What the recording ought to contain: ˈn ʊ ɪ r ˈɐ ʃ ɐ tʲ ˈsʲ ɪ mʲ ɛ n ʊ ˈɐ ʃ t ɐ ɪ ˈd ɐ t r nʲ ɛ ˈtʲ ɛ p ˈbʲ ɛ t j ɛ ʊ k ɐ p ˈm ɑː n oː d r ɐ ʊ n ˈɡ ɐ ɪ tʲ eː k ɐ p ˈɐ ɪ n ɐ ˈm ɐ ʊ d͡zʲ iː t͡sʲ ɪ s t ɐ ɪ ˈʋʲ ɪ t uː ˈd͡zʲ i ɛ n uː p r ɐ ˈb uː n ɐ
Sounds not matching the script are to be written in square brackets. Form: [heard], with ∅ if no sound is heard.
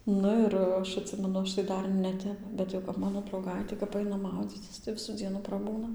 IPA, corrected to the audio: ˈn ʊ ɪ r ˈɐ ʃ ɐ tʲ ˈsʲ ɪ mʲ ɛ n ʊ ˈɐ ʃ t ɐ ɪ ˈd ɐ [∅] r nʲ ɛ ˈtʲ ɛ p ˈbʲ ɛ t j ɛ ʊ k ɐ p ˈm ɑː n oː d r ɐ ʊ [∅] ˈɡ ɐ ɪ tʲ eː k ɐ p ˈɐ ɪ n ɐ ˈm ɐ ʊ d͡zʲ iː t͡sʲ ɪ s t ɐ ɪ ˈʋʲ ɪ [s] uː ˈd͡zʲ i ɛ n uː p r ɐ ˈb uː n ɐ